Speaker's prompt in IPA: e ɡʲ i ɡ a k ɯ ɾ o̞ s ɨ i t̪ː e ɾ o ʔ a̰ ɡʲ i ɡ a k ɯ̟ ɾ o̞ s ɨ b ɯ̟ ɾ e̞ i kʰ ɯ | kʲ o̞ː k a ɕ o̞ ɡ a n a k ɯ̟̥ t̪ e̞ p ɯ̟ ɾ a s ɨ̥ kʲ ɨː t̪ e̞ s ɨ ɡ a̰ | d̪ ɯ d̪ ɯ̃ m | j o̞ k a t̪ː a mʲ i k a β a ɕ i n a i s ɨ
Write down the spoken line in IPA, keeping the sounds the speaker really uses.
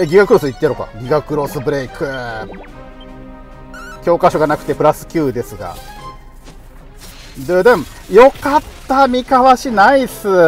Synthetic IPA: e ɡʲ i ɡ a k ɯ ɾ o̞ s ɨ i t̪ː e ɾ o k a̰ ɡʲ i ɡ a k ɯ̟ ɾ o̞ s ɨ b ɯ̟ ɾ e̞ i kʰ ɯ | kʲ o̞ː k a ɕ o̞ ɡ a n a k ɯ̟̥ t̪ e̞ p ɯ̟ ɾ a s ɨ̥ kʲ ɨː d̪ e̞ s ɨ ɡ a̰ | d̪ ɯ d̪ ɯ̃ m | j o̞ k a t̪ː a mʲ i k a β a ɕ i n a i s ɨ